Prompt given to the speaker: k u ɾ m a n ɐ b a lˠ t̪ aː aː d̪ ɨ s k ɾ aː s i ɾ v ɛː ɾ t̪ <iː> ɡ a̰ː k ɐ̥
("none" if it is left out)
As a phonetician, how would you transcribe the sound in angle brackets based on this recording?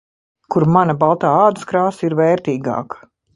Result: iː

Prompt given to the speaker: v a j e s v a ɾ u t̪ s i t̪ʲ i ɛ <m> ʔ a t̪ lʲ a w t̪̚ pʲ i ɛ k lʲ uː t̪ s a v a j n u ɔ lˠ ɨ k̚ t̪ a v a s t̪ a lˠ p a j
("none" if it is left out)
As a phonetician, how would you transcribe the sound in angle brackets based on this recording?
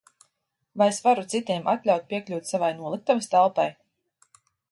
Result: m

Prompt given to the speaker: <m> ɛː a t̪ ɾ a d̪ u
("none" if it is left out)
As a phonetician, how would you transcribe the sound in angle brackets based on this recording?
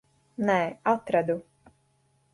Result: n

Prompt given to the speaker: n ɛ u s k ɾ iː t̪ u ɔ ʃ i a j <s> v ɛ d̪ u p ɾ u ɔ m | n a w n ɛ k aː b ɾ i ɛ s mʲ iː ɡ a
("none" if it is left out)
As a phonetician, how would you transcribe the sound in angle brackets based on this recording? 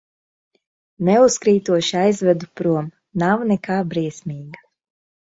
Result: z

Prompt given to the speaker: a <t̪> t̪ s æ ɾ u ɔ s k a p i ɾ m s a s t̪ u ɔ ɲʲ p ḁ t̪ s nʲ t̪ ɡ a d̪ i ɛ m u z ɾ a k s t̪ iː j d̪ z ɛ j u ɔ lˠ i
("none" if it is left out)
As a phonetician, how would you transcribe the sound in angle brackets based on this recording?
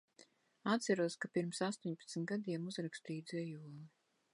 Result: t̪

